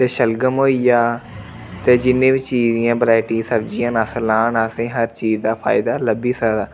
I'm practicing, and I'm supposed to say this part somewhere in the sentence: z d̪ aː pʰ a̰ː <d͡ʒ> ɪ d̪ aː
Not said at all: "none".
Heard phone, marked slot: none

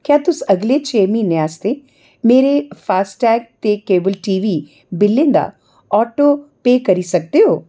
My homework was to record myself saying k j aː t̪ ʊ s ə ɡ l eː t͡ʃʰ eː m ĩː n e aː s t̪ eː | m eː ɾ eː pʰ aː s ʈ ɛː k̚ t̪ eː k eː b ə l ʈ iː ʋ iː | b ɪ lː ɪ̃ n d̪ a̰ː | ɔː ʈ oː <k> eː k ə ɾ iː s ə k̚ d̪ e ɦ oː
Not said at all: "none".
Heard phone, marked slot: p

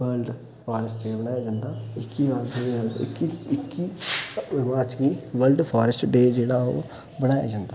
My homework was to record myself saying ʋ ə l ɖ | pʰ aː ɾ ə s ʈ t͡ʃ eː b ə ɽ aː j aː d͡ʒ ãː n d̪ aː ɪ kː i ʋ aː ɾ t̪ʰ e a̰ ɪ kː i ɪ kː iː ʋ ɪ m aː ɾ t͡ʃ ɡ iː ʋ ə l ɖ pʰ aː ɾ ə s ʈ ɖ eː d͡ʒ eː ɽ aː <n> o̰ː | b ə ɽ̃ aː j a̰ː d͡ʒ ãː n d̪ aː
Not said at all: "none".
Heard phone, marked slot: none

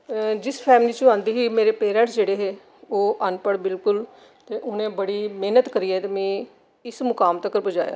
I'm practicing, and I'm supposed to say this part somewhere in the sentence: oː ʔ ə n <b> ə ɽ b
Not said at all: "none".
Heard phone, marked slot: p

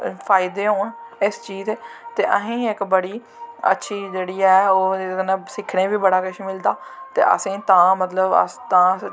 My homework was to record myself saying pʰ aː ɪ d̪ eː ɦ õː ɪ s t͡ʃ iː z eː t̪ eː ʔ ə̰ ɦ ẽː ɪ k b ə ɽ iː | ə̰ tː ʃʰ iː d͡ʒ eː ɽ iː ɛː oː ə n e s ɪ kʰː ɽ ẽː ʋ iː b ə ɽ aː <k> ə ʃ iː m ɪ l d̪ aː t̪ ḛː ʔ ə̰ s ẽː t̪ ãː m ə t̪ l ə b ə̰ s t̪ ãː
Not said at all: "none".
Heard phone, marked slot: k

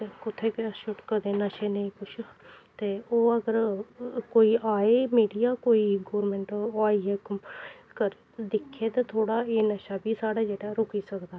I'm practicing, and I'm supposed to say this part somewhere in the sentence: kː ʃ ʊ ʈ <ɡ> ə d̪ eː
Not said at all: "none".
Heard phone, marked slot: k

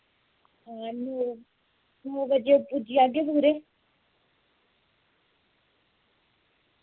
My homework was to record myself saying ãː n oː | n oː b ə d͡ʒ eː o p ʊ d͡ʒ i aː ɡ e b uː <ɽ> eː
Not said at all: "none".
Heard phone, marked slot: ɾ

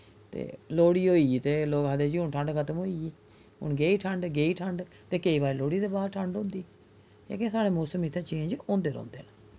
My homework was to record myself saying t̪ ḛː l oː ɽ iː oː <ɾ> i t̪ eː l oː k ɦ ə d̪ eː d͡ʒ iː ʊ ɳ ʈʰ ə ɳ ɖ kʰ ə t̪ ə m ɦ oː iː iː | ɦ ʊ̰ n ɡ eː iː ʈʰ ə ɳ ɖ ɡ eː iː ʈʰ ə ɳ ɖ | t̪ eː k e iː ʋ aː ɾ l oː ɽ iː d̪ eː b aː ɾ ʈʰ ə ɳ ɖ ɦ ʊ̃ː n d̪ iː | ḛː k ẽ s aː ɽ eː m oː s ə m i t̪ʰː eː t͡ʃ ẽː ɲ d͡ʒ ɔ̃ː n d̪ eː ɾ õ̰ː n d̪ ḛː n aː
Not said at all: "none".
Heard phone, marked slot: none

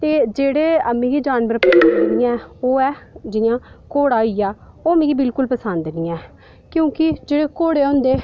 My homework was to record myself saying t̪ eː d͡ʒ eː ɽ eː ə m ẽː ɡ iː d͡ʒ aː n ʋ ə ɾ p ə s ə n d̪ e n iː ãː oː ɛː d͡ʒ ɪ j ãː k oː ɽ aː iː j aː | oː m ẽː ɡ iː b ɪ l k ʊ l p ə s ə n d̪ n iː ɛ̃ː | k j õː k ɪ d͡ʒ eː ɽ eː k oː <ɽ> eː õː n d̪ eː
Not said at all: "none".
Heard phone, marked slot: ɽ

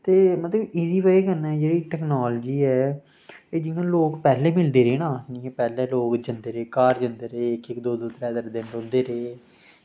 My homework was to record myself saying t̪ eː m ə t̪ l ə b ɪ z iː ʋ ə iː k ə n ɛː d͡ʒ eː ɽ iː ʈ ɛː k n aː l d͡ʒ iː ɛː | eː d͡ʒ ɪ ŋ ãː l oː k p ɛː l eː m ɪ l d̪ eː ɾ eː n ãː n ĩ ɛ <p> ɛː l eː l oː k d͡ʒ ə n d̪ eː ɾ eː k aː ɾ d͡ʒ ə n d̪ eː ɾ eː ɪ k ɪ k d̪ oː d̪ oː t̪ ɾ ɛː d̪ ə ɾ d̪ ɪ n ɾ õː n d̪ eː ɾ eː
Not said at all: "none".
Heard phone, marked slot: p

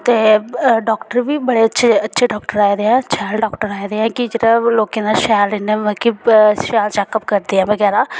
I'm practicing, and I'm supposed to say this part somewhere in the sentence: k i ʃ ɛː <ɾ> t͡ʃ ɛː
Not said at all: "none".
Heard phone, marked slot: l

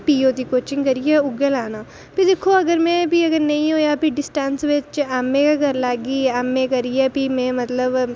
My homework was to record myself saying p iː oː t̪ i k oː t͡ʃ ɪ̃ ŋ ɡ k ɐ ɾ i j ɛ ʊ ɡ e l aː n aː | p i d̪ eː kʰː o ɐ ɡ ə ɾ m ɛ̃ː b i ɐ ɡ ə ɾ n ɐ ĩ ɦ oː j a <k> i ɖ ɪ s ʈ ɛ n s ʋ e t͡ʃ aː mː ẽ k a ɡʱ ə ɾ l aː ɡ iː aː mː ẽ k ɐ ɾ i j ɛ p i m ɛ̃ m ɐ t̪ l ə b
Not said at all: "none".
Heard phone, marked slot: p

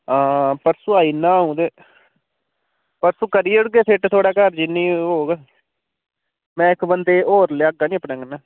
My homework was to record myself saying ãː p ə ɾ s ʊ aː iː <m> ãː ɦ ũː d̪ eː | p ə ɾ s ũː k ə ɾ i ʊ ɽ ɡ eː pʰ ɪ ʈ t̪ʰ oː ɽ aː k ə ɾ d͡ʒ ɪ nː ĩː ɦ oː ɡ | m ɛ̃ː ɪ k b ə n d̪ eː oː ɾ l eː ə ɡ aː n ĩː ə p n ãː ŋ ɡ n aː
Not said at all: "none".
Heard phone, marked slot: n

